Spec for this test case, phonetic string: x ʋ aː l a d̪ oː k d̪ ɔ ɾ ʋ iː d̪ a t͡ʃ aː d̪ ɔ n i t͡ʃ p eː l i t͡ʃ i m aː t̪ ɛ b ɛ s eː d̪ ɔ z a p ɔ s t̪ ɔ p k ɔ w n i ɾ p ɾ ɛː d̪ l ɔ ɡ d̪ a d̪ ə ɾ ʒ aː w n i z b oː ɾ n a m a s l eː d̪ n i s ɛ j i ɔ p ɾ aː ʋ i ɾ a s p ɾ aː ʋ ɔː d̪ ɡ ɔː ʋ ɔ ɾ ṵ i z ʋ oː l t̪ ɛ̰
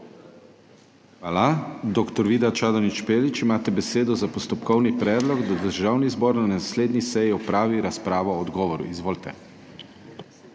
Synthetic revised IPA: x ʋ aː l a d̪ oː k t̪ ɔ ɾ ʋ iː d̪ a t͡ʃ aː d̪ ɔ n i t͡ʃ p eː l i t͡ʃ i m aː t̪ ɛ b ɛ s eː d̪ ɔ z a p ɔ s t̪ ɔ p k ɔ w n i p ɾ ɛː d̪ l ɔ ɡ d̪ a d̪ ə ɾ ʒ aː w n i z b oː ɾ n a n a s l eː d̪ n i s ɛ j i ɔ p ɾ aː ʋ i ɾ a s p ɾ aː ʋ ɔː d̪ ɡ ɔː ʋ ɔ ɾ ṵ i z ʋ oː l t̪ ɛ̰